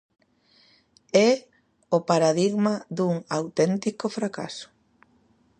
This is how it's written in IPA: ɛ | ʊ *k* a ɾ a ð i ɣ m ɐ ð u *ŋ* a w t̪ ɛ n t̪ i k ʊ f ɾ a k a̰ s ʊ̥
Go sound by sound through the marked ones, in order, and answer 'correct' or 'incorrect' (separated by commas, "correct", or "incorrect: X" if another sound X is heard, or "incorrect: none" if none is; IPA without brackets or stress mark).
incorrect: p, correct